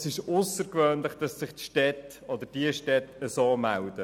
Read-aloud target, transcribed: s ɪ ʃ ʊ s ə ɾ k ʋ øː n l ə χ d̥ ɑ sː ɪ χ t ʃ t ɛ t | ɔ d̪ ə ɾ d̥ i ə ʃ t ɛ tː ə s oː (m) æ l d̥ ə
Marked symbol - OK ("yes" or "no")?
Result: yes